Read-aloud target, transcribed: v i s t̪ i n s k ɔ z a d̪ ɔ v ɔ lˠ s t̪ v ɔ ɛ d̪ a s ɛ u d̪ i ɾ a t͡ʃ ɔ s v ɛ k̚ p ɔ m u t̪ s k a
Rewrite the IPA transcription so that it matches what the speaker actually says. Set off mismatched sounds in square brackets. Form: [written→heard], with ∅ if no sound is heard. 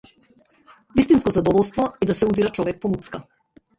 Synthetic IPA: v i s t̪ i n s k ɔ z a d̪ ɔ v ɔ lˠ s t̪ v ɔ ɛ d̪ a s ɛ u d̪ i ɾ a t͡ʃ ɔ [s→∅] v ɛ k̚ p ɔ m u t̪ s k a